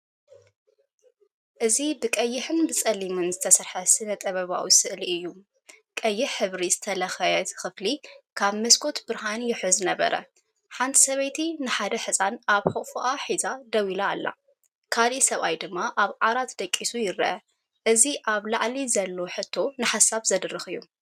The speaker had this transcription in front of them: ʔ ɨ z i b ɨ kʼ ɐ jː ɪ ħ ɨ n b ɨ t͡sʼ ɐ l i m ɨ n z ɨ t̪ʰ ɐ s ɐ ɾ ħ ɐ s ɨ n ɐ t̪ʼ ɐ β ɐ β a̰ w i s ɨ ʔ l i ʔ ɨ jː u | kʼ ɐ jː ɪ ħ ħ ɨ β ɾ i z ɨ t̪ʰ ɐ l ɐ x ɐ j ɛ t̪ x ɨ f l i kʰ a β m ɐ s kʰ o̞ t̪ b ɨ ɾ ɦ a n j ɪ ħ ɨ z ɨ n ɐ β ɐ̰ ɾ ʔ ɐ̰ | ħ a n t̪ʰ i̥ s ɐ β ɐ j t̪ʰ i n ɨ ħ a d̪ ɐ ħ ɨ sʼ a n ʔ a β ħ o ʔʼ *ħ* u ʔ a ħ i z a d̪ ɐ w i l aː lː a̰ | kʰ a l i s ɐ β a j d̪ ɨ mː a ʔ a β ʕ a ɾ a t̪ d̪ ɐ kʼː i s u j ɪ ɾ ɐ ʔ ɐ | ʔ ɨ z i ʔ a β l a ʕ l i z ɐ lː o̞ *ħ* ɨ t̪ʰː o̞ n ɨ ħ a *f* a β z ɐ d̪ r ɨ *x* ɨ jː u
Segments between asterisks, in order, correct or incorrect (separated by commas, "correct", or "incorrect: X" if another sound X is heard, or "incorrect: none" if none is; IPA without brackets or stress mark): incorrect: f, correct, incorrect: s, correct